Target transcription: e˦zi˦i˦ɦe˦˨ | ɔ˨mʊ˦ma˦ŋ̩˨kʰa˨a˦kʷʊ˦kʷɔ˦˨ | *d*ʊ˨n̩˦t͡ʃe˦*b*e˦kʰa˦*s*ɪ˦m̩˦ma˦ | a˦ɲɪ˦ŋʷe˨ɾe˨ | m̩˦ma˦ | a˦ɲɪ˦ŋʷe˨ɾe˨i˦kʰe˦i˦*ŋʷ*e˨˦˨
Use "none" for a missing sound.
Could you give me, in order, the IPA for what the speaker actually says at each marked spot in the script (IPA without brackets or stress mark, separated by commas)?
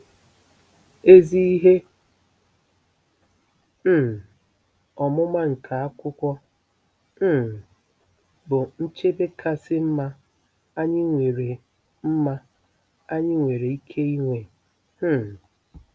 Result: b, b, s, ŋʷ